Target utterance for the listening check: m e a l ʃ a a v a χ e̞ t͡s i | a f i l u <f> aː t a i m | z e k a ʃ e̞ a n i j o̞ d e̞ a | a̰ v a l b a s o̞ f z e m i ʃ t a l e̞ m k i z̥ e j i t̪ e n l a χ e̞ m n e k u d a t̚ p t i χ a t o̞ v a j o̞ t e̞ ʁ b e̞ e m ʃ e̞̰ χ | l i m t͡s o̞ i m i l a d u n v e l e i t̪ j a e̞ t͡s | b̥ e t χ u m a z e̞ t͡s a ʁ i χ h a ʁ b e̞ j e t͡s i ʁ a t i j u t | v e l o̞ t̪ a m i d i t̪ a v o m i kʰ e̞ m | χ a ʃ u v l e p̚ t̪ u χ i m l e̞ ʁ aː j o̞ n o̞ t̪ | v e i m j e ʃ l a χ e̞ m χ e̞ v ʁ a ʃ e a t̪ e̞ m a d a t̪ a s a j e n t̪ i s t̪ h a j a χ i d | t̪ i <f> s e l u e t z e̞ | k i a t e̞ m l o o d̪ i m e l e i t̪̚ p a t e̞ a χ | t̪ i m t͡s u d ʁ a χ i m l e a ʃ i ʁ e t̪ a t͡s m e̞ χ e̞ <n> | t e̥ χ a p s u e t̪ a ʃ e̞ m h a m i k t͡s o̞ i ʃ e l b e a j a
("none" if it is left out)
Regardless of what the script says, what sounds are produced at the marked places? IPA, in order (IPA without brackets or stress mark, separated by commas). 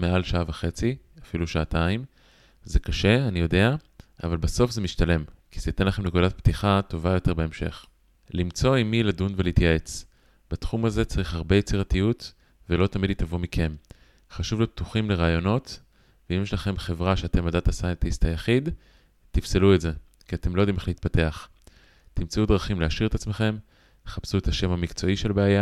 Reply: ʃ, f, m